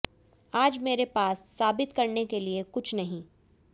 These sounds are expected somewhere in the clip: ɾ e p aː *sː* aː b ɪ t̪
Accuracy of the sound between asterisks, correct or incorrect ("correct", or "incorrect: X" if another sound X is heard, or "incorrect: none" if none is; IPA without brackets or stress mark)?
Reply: correct